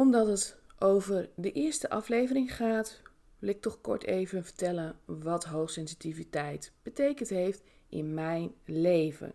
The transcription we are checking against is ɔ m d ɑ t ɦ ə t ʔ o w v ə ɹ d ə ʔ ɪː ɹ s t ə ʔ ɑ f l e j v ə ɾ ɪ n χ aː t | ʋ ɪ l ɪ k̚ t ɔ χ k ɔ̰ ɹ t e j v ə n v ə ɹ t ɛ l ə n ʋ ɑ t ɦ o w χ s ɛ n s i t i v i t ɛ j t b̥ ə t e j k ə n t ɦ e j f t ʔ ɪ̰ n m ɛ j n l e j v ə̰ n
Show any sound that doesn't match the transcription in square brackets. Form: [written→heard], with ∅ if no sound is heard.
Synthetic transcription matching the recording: ɔ m d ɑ t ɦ ə t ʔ o w v ə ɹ d ə ʔ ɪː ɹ s t ə ʔ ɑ f l e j v ə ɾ ɪ [n→ŋ] χ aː t | ʋ ɪ l ɪ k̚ t ɔ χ k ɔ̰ ɹ t e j v ə n v ə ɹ t ɛ l ə n ʋ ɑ t ɦ o w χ s ɛ n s i t i v i t ɛ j t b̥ ə t e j k ə n t ɦ e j f t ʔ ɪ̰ n m ɛ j n l e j v ə̰ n